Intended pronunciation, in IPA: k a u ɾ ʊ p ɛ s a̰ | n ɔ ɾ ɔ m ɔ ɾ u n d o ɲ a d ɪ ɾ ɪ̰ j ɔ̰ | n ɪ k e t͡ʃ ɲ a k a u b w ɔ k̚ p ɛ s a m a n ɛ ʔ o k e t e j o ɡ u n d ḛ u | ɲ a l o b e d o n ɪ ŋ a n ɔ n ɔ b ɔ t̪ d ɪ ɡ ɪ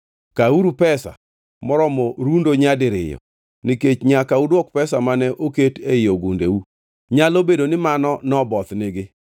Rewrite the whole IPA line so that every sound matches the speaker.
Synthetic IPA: k a u ɾ u p ɛ s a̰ | m ɔ ɾ ɔ m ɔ ɾ u n d o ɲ a d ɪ ɾ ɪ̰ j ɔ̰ | n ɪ k e t͡ʃ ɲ a k a u d w ɔ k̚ p ɛ s a m a n ɛ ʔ o k e t e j o ɡ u n d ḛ u | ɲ a l o b e d o n ɪ m a n ɔ n ɔ b ɔ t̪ n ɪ ɡ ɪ